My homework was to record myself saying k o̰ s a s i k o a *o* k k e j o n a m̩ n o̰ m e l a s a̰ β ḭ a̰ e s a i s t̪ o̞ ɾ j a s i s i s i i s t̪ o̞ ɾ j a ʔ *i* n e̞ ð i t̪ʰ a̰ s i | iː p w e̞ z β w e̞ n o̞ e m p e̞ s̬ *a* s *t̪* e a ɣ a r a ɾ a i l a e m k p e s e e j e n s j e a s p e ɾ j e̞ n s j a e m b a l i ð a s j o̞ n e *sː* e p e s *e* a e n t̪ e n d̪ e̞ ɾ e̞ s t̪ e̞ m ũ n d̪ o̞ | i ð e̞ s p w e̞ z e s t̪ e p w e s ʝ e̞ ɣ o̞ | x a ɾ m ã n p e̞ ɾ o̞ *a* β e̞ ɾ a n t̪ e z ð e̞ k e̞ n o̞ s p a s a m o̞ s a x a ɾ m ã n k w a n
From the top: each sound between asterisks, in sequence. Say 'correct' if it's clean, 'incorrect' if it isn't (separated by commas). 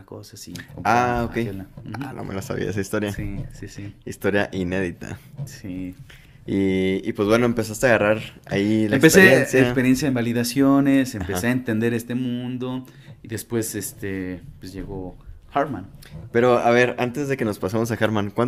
correct, correct, correct, correct, incorrect, correct, correct